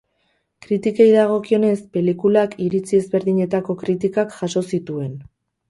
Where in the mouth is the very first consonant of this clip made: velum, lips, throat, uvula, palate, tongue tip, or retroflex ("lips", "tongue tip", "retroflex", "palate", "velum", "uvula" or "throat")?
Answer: velum